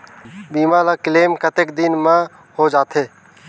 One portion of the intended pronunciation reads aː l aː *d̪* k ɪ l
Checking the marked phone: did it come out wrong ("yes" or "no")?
yes